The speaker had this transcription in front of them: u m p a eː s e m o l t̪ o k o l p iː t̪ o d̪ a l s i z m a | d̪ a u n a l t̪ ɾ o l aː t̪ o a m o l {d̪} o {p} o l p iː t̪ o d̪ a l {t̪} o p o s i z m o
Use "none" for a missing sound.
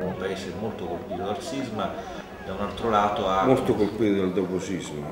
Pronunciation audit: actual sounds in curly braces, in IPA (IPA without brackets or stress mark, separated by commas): t̪, k, d̪